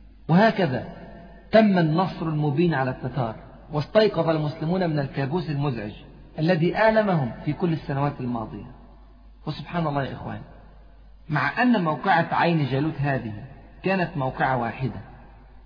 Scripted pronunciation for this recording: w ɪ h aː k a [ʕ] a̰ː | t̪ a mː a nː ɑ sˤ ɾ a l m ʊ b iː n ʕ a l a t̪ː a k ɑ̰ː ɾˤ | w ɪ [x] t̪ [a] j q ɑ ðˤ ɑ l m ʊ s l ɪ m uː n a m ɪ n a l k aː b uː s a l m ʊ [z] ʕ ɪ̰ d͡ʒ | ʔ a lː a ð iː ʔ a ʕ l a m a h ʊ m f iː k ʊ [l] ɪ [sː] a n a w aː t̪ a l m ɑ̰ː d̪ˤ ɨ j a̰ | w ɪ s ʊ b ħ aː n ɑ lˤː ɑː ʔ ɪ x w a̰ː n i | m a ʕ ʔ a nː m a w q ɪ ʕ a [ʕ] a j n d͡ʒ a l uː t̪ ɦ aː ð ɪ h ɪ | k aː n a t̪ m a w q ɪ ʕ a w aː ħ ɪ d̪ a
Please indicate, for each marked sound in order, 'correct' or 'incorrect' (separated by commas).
incorrect, incorrect, incorrect, correct, incorrect, correct, correct